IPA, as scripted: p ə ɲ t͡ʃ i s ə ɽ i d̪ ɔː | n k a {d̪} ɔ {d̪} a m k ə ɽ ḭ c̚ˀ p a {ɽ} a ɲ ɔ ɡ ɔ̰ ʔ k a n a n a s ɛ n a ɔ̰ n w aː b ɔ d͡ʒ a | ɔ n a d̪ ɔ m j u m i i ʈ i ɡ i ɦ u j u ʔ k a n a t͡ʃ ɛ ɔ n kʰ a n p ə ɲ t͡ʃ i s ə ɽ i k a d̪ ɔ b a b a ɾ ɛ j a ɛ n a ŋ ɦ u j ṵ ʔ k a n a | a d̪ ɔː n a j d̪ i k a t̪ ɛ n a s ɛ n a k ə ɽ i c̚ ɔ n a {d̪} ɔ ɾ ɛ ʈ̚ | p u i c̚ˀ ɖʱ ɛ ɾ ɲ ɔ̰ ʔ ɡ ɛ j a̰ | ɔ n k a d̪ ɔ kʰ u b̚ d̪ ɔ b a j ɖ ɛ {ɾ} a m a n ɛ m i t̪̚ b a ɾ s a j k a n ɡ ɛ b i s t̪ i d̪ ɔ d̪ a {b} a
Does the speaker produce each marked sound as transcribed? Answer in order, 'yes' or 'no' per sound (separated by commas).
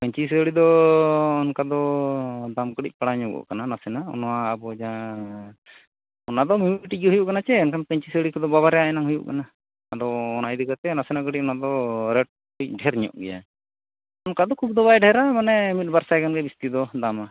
yes, yes, yes, yes, yes, no